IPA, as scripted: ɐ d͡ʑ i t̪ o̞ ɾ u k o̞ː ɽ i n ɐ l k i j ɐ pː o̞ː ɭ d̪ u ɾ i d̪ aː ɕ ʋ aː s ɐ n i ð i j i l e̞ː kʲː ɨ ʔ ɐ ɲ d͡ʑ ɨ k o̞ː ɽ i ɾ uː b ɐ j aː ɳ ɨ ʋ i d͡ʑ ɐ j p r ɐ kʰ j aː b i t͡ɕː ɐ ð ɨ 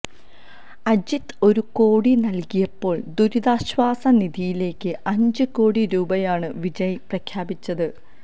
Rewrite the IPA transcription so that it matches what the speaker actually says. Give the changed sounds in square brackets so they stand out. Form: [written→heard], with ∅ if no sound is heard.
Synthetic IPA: ɐ d͡ʑ i t̪ o̞ ɾ u k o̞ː ɽ i n ɐ l k i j ɐ pː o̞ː ɭ d̪ u ɾ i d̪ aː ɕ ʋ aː s ɐ n i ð i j i l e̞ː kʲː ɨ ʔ ɐ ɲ d͡ʑ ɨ k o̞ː ɽ i ɾ uː b ɐ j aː ɳ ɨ ʋ i d͡ʑ ɐ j p r ɐ kʰ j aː b i t͡ɕː ɐ ð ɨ